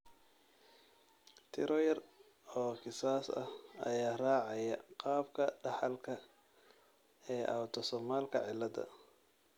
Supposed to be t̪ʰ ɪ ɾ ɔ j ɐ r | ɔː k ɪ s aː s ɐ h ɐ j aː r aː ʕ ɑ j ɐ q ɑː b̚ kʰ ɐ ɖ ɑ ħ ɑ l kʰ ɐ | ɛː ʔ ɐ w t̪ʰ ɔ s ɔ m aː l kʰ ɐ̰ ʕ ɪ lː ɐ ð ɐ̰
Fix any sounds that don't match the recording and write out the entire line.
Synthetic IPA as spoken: t̪ʰ ɪ ɾ ɔ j ɐ r | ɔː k ɪ s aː s ɐ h ɐ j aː r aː ʕ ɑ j ɐ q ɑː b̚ kʰ ɐ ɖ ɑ ħ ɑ l kʰ ɐ | ɛː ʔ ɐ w t̪ʰ ɔ s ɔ m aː l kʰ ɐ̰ ʕ ɪ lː ɐ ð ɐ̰

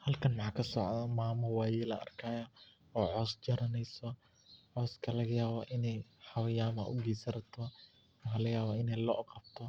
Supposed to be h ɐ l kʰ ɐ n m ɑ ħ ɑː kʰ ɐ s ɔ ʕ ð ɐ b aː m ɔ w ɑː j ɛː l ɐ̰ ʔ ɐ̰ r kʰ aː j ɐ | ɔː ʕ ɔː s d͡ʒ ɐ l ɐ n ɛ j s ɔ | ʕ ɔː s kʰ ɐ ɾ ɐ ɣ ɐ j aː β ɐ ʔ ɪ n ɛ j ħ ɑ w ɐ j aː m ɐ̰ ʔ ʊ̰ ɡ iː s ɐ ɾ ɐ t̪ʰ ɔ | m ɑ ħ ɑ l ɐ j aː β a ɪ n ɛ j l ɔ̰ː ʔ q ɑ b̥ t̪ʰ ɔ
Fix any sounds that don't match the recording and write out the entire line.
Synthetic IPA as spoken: h ɐ l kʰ ɐ n m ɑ ħ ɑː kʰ ɐ s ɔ ʕ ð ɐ m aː m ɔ w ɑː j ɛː l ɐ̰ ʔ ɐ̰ r kʰ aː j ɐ | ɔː ʕ ɔː s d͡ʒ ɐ ɾ ɐ n ɛ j s ɔ | ʕ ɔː s kʰ ɐ l ɐ ɣ ɐ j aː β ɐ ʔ ɪ n ɛ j ħ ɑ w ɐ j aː m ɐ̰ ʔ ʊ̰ ɡ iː s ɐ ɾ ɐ t̪ʰ ɔ | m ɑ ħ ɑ l ɐ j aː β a ɪ n ɛ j l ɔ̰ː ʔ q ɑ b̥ t̪ʰ ɔ

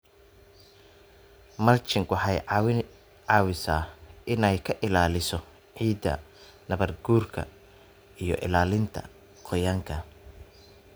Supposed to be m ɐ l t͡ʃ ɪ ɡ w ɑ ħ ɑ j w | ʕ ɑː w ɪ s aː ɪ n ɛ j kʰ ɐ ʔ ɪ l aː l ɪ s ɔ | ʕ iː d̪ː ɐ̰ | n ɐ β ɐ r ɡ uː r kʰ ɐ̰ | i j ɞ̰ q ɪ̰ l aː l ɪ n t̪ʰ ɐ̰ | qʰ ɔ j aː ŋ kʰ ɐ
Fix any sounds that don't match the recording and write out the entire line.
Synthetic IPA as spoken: m ɐ l t͡ʃ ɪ ŋ w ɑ ħ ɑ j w | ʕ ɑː w ɪ s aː ɪ n ɛ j kʰ ɐ ʔ ɪ l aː l ɪ s ɔ | ʕ iː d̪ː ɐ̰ | n ɐ β ɐ r ɡ uː r kʰ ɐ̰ | i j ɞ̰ ʔ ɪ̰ l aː l ɪ n t̪ʰ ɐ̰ | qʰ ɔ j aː ŋ kʰ ɐ

